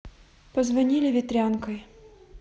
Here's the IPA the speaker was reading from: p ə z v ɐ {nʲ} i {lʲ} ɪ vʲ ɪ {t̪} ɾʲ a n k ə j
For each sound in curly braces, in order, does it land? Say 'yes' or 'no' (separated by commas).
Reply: yes, yes, yes